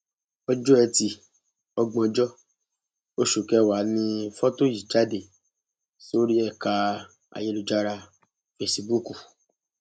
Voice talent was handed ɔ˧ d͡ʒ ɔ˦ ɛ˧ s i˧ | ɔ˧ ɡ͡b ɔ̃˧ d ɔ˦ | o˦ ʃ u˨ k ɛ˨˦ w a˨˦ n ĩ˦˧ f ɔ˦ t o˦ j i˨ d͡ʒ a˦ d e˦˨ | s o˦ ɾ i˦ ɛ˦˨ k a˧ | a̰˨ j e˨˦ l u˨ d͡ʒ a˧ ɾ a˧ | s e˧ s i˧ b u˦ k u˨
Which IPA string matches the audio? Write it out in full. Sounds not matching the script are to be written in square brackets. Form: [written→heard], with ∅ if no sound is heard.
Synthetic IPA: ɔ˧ d͡ʒ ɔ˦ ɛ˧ [s→t] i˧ | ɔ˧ ɡ͡b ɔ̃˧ [d→d͡ʒ] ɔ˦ | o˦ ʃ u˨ k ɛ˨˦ w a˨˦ n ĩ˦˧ f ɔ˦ t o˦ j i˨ d͡ʒ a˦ d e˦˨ | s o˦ ɾ i˦ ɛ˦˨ k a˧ | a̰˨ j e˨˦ l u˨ d͡ʒ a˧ ɾ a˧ | [s→f] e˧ s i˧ b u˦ k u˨